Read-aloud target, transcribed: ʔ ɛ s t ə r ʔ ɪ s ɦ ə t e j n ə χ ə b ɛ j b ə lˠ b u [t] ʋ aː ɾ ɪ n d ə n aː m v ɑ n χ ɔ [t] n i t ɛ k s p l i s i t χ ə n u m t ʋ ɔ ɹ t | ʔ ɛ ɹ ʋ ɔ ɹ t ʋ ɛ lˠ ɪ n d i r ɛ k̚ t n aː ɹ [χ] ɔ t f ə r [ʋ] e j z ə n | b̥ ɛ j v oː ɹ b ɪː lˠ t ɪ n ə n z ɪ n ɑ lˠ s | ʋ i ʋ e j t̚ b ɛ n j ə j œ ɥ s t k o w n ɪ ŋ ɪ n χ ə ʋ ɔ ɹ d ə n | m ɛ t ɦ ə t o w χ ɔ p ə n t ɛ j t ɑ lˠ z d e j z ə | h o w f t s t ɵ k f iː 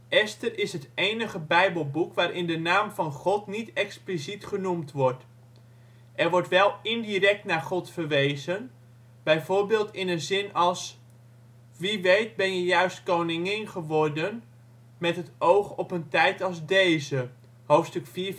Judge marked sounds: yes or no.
no, yes, yes, yes

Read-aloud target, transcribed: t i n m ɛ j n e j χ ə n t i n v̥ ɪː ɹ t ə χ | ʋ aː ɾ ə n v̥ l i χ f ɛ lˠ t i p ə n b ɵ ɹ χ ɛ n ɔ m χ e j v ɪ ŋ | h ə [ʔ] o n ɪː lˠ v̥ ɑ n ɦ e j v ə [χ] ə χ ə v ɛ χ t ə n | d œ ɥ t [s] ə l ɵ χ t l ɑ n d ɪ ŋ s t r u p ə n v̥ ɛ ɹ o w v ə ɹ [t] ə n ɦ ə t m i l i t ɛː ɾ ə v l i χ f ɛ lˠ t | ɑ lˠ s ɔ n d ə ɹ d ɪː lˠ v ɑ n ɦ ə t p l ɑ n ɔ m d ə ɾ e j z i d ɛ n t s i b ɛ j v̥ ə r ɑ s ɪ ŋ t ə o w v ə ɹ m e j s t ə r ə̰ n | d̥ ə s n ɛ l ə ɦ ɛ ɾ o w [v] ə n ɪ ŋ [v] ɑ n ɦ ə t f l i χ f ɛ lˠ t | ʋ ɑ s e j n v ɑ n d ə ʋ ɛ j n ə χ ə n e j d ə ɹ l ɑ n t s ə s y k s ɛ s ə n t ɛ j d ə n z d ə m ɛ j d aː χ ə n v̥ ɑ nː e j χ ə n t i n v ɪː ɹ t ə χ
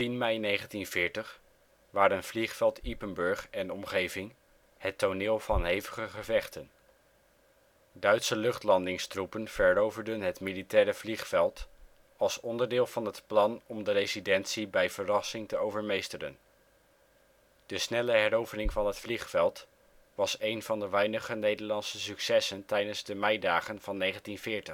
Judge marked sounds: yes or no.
no, yes, yes, no, yes, yes

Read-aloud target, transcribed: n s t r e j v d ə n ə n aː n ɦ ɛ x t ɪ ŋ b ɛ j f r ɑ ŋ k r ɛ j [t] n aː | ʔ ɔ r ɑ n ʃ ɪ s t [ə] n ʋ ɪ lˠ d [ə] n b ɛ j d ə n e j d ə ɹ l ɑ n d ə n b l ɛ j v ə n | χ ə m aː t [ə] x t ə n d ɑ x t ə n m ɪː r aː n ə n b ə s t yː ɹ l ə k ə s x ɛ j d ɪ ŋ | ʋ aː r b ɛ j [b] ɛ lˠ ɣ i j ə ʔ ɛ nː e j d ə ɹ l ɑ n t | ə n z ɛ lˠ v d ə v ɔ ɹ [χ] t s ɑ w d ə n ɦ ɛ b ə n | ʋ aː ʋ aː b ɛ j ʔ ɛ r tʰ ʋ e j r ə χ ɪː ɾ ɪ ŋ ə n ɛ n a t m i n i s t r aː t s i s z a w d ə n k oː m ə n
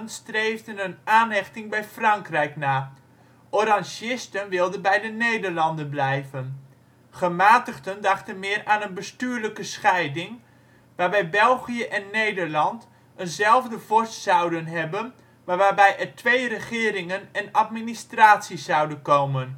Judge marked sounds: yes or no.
no, yes, yes, yes, yes, no

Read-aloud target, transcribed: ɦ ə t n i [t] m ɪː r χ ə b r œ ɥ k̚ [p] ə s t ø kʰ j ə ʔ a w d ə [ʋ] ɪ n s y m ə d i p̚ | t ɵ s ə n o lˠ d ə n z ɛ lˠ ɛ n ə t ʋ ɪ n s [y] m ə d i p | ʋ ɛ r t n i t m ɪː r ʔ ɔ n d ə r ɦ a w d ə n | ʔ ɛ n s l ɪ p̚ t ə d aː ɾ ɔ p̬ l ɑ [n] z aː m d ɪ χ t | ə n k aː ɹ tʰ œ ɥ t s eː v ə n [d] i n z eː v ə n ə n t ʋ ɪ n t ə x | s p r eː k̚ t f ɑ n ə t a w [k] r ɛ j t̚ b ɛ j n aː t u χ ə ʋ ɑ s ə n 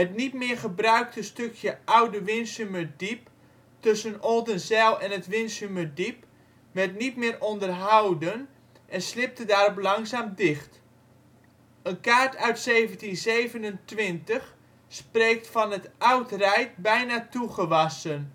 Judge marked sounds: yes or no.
yes, no, yes, yes, no, no, no

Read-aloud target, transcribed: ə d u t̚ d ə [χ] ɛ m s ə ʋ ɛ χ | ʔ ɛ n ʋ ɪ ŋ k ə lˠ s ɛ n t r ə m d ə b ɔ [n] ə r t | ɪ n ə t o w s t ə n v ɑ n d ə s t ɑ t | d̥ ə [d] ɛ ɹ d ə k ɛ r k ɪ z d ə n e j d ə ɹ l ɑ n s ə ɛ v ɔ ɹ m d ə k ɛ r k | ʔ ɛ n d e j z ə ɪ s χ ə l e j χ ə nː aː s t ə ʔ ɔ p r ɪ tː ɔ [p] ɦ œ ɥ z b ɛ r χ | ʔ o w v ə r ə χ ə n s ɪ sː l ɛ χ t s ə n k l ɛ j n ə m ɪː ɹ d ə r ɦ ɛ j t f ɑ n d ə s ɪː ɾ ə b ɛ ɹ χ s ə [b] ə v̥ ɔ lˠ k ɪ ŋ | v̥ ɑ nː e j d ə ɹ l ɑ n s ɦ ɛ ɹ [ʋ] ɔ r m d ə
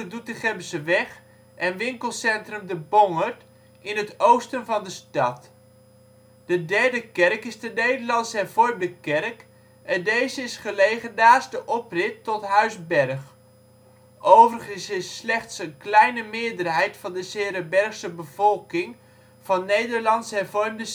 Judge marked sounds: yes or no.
yes, no, yes, no, yes, no

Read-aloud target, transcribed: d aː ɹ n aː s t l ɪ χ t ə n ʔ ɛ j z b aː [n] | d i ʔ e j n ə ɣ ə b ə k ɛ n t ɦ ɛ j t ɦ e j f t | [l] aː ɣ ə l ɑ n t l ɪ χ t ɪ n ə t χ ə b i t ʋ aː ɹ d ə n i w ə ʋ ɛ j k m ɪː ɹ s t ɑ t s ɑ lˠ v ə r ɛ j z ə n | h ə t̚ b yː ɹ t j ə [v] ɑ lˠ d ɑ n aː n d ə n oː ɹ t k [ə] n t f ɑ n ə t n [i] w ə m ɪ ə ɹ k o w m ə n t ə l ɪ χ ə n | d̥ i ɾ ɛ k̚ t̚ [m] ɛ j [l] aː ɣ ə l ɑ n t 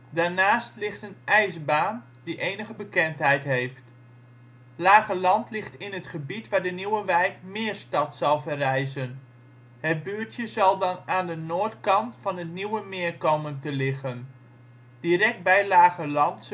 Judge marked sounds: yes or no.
yes, yes, no, no, yes, no, yes

